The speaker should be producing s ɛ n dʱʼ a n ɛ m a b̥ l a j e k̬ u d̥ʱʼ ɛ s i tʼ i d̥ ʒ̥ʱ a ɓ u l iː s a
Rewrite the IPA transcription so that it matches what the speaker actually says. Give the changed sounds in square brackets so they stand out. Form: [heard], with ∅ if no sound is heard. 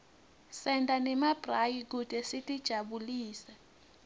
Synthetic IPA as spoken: s ɛ n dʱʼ a n ɛ m a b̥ [r] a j [i] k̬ u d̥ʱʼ ɛ s i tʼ i d̥ ʒ̥ʱ a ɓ u l iː s a